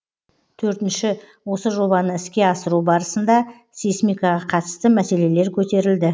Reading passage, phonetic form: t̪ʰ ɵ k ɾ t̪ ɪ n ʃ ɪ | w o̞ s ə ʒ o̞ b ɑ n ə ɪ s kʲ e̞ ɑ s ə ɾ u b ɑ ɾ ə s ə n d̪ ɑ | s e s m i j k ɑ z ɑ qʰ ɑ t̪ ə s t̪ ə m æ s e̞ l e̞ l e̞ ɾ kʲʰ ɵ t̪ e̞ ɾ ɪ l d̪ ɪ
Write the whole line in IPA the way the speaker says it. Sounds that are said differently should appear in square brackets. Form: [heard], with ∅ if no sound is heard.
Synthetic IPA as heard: t̪ʰ ɵ [∅] ɾ t̪ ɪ n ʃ ɪ | w o̞ s ə ʒ o̞ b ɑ n ə ɪ s kʲ e̞ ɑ s ə ɾ u b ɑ ɾ ə s ə n d̪ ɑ | s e s m i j k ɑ [ʁ] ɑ qʰ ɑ t̪ ə s t̪ ə m æ s e̞ l e̞ l e̞ ɾ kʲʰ ɵ t̪ e̞ ɾ ɪ l d̪ ɪ